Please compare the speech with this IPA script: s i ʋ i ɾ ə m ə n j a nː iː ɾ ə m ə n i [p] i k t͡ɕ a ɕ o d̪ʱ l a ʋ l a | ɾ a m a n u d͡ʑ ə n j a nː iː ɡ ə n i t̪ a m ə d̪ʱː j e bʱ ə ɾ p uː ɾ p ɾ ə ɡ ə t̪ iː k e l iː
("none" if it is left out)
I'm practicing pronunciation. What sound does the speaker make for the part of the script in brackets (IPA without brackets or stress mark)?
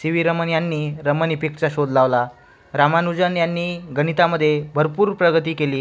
p